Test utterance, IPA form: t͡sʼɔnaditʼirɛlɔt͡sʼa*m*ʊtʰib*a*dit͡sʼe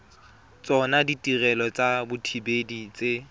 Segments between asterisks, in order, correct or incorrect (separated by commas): incorrect, incorrect